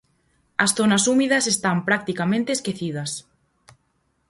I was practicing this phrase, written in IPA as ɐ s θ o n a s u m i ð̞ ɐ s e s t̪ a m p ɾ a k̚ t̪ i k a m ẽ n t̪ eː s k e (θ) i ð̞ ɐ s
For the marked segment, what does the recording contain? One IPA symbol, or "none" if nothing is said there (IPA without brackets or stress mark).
θ